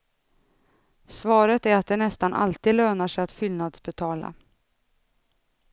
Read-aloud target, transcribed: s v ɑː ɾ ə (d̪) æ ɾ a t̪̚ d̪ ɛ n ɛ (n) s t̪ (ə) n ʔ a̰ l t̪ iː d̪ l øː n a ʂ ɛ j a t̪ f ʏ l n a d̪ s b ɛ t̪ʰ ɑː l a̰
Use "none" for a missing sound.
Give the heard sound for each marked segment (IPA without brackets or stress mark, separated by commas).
t̪, none, a